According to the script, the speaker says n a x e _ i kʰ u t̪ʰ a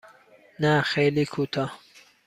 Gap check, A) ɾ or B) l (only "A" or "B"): B